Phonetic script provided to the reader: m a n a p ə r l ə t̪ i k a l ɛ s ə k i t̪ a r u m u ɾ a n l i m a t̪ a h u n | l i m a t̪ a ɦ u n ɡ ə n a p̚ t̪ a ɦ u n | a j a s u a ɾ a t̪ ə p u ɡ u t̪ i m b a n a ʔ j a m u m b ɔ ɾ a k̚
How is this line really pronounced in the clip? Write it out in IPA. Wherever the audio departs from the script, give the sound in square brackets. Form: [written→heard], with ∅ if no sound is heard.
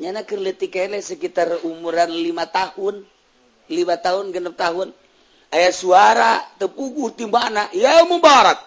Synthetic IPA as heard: [m→ɲ] a n a [p→k] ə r l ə t̪ i k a l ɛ s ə k i t̪ a r u m u ɾ a n l i m a t̪ a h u n | l i m a t̪ a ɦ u n ɡ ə n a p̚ t̪ a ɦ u n | a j a s u a ɾ a t̪ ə p u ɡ u t̪ i m b a n a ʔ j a m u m b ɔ ɾ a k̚